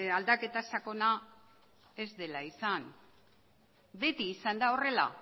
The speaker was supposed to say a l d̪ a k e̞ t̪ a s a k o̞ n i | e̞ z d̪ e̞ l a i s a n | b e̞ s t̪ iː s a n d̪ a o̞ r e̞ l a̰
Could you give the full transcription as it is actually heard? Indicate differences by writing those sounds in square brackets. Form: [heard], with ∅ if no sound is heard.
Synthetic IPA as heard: a l d̪ a k e̞ t̪ a s a k o̞ n [a] | e̞ z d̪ e̞ l a i s a n | b e̞ [∅] t̪ iː s a n d̪ a o̞ r e̞ l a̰